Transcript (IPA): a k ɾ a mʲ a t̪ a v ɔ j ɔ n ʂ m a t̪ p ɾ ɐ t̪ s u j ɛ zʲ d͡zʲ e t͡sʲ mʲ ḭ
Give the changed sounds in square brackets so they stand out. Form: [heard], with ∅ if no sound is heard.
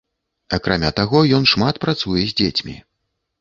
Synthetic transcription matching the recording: a k ɾ a mʲ a t̪ a [ɣ] ɔ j ɔ n ʂ m a t̪ p ɾ [a] t̪ s u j ɛ zʲ d͡zʲ e t͡sʲ mʲ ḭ